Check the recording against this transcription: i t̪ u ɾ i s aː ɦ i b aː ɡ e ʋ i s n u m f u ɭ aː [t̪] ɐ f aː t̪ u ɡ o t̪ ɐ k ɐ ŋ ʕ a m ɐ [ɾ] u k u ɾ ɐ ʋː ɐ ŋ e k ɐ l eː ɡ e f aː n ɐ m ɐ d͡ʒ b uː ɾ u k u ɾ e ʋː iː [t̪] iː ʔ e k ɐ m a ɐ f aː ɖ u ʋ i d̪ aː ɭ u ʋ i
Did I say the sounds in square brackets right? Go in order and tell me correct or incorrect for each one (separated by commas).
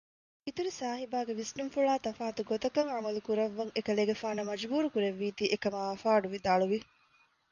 correct, incorrect, correct